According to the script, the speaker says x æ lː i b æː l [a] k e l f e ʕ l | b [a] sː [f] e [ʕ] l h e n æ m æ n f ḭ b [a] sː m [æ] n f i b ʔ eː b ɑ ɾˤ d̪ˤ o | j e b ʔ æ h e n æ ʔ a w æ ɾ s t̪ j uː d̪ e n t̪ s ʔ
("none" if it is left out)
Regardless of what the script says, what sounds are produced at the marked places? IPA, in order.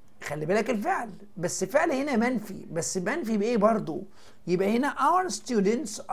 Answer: æ, æ, f, ʕ, æ, æ

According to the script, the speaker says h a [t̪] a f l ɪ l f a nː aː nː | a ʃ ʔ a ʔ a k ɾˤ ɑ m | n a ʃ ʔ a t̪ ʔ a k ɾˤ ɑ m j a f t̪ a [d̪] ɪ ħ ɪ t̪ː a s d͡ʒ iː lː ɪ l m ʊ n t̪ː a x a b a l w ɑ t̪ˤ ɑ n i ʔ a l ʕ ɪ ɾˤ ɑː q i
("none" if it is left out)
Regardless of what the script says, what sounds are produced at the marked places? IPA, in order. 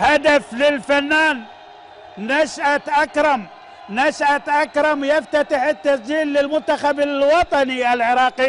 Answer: d̪, t̪

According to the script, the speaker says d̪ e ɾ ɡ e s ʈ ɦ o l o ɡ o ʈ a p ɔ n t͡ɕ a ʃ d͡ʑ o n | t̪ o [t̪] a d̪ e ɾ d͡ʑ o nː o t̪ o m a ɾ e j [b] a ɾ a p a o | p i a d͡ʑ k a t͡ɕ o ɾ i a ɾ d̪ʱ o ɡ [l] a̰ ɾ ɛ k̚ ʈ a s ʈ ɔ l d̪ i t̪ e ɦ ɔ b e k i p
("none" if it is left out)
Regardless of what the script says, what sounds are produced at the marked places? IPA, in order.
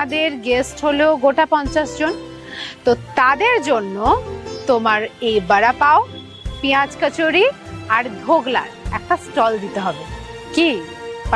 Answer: t̪, b, l

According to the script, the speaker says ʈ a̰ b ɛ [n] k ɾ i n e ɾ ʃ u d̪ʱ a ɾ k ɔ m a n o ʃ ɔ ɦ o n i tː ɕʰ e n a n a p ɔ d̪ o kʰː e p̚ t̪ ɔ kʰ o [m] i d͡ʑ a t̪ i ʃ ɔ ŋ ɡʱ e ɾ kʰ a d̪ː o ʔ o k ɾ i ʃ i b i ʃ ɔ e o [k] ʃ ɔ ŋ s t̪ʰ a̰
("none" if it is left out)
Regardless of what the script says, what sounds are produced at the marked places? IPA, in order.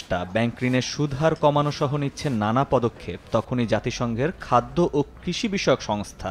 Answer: ŋ, n, k

